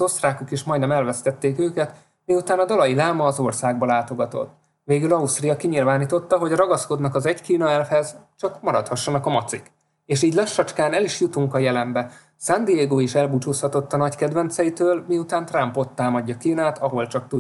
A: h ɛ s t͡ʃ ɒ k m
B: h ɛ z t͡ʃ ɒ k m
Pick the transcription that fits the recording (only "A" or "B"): B